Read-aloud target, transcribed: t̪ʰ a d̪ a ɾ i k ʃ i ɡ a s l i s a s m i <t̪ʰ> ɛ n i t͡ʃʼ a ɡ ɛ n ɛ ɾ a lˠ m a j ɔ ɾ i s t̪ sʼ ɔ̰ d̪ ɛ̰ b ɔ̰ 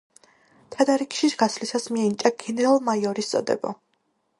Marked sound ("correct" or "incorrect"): incorrect